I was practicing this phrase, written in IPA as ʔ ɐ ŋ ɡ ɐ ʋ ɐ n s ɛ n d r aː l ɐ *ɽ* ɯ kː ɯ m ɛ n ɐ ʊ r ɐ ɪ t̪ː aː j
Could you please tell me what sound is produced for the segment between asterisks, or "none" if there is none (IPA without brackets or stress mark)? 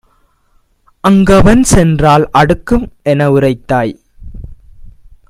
ɽ